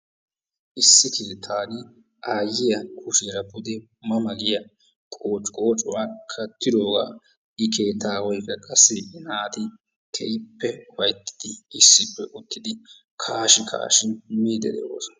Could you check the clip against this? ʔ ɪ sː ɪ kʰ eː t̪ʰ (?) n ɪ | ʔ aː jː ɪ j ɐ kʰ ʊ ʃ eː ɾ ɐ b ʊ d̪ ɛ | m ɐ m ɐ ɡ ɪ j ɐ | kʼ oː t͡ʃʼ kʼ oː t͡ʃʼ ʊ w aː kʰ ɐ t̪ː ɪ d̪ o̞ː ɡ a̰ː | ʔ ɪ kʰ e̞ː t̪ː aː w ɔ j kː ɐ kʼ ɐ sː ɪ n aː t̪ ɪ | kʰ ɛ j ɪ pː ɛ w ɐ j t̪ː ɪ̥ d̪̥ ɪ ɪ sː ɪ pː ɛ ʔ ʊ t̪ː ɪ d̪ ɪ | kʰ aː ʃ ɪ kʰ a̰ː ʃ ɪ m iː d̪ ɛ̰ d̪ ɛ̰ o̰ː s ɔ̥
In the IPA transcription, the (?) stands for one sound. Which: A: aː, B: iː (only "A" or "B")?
A